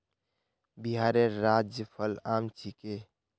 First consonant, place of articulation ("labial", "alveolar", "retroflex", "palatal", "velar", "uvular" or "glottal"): labial